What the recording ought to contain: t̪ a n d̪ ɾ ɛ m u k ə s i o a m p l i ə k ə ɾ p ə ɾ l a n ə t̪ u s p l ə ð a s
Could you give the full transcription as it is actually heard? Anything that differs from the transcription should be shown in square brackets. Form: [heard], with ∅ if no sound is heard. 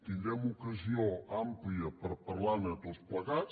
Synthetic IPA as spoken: t̪ [i] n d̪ ɾ ɛ m u k ə [z] i o a m p l i ə [p] ə ɾ p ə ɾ l a n ə t̪ [o] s p l ə [ɣ] a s